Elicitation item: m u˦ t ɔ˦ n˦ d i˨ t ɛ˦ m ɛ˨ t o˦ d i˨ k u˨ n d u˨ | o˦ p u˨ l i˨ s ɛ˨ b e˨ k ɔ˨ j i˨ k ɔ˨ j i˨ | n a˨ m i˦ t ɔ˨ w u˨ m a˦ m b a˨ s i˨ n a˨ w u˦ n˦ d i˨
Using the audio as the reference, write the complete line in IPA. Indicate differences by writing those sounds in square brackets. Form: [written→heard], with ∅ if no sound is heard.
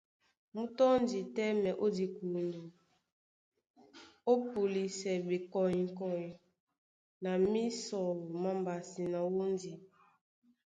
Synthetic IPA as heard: m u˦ t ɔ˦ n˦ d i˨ t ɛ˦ m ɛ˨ [t→ʔ] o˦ d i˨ k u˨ n d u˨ | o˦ p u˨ l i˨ s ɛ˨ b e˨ k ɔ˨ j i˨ k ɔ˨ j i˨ | n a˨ m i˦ [t→s] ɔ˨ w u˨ m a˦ m b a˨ s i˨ n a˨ w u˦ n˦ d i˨